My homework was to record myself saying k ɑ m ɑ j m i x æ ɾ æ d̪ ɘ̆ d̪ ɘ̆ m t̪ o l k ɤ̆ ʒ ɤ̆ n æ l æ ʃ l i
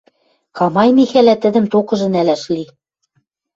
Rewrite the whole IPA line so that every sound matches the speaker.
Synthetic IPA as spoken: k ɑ m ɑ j m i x æ l æ t̪ ɘ̆ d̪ ɘ̆ m t̪ o k ɤ̆ ʒ ɤ̆ n æ l æ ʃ l i